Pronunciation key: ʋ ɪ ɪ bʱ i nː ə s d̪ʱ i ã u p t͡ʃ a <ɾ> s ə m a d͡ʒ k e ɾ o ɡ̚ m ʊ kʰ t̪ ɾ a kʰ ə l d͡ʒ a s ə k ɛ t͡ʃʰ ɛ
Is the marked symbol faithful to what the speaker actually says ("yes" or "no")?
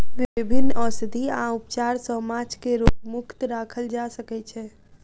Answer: yes